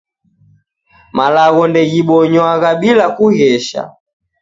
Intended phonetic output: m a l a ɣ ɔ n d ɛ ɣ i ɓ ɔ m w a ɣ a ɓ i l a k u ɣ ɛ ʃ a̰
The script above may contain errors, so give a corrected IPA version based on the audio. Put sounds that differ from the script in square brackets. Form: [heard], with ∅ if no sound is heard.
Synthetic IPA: m a l a ɣ ɔ n d ɛ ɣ i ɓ ɔ [ɲ] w a ɣ a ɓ i l a k u ɣ ɛ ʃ a̰